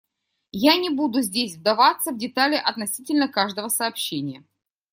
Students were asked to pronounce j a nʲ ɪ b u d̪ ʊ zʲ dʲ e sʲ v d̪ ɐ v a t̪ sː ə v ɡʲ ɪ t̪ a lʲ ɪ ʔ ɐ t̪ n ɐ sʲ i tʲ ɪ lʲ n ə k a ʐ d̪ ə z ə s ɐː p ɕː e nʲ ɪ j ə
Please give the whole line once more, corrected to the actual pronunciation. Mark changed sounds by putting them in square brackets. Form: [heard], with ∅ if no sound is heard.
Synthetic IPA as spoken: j a nʲ ɪ b u d̪ ʊ zʲ dʲ e sʲ v d̪ ɐ v a t̪ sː ə v [dʲ] ɪ t̪ a lʲ ɪ ʔ ɐ t̪ n ɐ sʲ i tʲ ɪ lʲ n ə k a ʐ d̪ ə [v] ə s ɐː p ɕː e nʲ ɪ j ə